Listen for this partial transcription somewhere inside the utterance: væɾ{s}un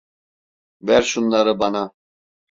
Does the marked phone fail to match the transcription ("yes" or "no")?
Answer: yes